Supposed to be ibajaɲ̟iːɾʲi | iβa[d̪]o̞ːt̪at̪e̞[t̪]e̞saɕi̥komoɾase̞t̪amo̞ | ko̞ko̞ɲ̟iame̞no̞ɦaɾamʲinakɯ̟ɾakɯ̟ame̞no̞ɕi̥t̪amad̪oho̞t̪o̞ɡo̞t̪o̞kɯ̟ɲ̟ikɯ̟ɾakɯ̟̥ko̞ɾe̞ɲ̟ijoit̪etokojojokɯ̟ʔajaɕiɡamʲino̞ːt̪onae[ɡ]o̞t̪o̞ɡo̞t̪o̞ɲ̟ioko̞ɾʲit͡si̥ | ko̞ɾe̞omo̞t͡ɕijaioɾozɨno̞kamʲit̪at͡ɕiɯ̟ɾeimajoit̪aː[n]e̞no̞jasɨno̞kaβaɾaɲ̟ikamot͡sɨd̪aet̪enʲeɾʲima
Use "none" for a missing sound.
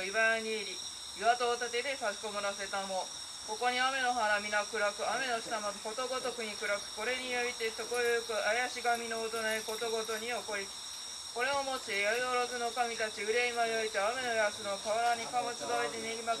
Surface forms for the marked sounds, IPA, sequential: t̪, d̪, k, m

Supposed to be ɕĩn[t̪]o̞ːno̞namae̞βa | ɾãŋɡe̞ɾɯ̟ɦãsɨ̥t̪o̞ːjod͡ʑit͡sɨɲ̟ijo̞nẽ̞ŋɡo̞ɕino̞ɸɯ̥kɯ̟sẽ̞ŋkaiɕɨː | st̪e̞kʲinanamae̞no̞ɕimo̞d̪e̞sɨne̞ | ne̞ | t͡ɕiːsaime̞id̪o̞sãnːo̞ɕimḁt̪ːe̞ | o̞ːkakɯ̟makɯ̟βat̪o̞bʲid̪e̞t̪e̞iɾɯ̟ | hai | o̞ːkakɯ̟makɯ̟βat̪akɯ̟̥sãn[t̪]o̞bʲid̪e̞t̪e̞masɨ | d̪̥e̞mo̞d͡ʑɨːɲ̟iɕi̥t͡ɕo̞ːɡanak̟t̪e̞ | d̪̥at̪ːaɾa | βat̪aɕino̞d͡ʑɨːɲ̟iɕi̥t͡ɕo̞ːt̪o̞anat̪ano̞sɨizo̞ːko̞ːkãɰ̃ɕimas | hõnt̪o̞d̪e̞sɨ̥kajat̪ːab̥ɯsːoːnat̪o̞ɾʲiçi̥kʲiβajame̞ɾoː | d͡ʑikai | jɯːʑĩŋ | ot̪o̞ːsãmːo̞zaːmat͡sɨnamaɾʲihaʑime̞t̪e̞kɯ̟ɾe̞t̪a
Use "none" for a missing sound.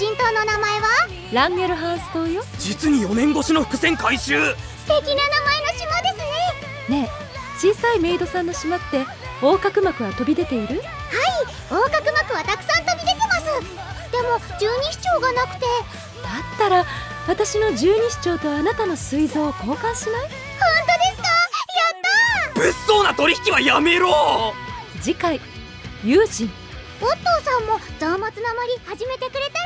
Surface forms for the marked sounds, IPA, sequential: t̪, t̪

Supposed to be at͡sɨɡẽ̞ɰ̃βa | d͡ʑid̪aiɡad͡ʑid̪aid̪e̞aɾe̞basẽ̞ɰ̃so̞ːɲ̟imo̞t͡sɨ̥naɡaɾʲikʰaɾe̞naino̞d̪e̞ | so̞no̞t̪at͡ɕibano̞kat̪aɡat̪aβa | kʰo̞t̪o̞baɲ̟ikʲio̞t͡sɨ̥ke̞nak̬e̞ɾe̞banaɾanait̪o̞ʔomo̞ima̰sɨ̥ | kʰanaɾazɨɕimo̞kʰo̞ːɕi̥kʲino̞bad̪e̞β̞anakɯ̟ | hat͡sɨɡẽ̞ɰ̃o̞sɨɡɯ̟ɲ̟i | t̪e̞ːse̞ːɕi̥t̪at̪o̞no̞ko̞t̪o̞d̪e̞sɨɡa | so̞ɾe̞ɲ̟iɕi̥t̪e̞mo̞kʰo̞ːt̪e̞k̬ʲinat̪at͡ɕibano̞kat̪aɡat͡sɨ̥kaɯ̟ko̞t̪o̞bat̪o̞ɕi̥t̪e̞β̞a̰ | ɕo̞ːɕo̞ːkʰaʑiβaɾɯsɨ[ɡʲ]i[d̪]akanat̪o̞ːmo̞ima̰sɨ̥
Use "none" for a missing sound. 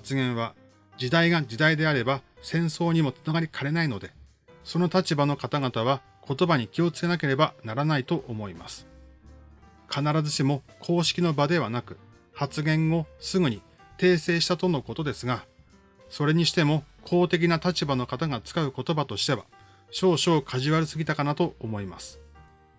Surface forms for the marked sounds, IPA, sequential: ɡʲ, t̪

